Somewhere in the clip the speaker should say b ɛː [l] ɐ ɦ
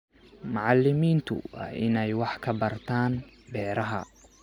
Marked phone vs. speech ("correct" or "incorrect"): incorrect